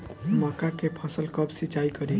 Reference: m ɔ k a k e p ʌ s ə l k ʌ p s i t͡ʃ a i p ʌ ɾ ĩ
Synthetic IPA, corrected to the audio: m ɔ k a k e pʰ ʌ s ə l k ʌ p s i t͡ʃ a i k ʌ ɾ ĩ

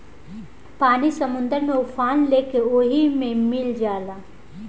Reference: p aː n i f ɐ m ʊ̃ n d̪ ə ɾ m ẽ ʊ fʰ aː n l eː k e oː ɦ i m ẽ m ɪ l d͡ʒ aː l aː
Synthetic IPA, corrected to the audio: p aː n i s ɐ m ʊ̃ n d̪ ə ɾ m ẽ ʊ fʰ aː n l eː k e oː ɦ i m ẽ m ɪ l d͡ʒ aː l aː

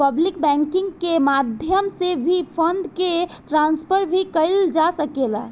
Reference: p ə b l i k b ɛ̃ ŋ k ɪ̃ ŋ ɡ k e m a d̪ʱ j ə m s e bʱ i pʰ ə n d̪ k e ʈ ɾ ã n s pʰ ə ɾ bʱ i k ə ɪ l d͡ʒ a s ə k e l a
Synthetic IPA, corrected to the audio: p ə b l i k b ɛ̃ ŋ k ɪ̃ ŋ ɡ k e m a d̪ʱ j ə m s e bʱ i pʰ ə n d̪ k e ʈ ɾ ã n s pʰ ə ɾ bʱ i k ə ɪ l d͡ʒ a s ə k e l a

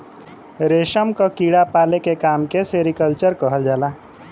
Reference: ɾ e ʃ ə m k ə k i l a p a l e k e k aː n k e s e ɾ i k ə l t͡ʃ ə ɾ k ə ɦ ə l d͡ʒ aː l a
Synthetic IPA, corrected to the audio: ɾ e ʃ ə m k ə k i ɽ a p a l e k e k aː m k e s e ɾ i k ə l t͡ʃ ə ɾ k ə ɦ ə l d͡ʒ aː l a

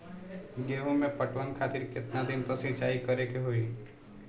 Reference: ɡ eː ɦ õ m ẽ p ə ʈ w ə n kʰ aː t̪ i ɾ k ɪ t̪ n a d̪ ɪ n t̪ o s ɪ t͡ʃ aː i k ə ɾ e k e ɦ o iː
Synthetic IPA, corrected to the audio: ɡ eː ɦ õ m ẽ p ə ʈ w ə n kʰ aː t̪ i ɾ k ɪ t̪ n a d̪ ɪ n t̪ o s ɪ t͡ʃ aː i k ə ɾ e k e ɦ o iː

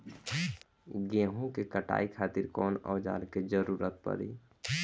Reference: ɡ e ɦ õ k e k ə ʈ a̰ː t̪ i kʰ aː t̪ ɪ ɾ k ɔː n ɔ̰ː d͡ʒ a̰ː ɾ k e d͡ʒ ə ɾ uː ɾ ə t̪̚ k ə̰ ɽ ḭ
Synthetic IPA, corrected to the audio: ɡ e ɦ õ k e k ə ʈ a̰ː i kʰ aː t̪ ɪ ɾ k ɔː n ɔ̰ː d͡ʒ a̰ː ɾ k e d͡ʒ ə ɾ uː ɾ ə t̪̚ p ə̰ ɾ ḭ

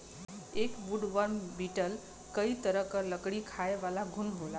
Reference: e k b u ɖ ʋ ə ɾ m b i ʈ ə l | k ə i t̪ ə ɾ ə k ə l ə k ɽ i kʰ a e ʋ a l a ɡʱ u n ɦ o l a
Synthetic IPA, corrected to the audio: e k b u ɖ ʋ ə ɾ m b i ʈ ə l | k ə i t̪ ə ɾ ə k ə l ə k ɽ i kʰ a e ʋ a l a ɡʱ u n ɦ o l a

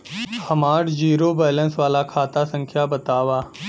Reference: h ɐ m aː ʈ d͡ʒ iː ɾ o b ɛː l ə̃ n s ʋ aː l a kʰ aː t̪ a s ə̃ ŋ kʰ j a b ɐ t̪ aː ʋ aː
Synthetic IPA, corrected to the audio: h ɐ m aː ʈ d͡ʒ iː ɾ o b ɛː l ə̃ n s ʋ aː l a kʰ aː t̪ a s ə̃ ŋ kʰ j a b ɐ t̪ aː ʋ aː

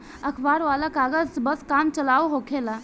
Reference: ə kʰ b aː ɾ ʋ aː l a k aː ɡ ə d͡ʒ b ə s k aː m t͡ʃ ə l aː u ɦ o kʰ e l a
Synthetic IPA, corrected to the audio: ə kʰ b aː ɾ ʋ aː l a k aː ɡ ə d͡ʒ b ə s k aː m t͡ʃ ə l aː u ɦ o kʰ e l a

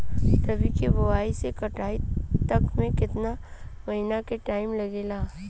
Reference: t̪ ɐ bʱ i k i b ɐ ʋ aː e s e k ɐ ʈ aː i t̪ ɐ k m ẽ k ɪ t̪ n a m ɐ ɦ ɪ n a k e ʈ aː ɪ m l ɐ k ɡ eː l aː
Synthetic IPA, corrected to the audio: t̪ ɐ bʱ i k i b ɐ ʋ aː i s e k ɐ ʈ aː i t̪ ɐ k m ẽ k ɪ t̪ n a m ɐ ɦ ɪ n a k e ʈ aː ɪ m l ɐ ɡ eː l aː

